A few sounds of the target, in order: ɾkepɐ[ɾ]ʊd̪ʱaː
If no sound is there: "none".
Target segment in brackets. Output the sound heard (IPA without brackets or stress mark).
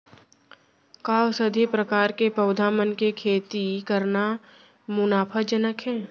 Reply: none